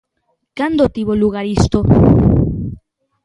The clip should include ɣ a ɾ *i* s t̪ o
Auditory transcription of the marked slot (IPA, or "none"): i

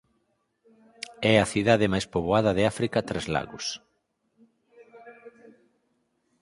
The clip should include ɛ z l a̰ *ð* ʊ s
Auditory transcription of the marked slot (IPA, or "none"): ɣ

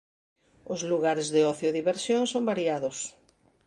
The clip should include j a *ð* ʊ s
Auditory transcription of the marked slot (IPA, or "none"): ð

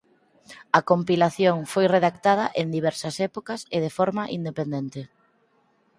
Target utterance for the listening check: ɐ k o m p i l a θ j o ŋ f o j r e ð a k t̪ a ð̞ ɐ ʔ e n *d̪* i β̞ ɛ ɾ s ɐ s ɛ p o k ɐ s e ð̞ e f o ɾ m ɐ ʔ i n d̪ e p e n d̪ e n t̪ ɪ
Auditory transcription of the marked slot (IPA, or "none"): d̪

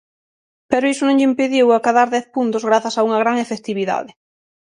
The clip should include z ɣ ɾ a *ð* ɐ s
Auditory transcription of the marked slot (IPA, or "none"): θ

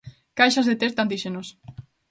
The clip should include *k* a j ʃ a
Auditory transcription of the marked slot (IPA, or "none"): k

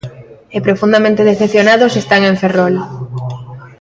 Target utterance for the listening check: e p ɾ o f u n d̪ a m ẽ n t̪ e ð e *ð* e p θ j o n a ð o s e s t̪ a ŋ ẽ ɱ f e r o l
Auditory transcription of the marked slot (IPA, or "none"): θ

